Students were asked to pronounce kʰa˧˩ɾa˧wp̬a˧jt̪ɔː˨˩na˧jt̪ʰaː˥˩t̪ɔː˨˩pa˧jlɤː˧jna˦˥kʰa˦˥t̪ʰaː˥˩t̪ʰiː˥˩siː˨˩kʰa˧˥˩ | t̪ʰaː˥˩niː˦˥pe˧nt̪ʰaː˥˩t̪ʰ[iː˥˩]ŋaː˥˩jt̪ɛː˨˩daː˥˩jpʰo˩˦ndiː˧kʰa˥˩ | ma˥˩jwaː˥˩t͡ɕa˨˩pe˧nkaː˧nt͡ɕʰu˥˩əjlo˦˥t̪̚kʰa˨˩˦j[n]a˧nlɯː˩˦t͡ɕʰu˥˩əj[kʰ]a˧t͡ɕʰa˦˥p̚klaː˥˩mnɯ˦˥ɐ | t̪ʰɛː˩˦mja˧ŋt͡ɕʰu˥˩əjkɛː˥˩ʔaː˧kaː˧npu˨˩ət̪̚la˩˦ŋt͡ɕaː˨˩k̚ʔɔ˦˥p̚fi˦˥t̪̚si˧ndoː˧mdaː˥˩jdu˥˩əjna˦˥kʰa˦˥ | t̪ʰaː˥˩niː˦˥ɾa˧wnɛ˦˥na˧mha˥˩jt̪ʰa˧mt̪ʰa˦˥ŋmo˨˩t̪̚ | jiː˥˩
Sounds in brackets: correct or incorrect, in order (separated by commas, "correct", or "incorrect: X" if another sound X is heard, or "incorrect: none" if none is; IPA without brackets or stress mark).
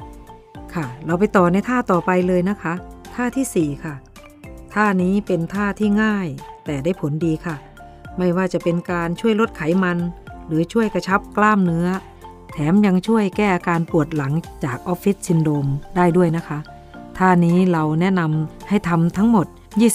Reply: correct, incorrect: m, incorrect: k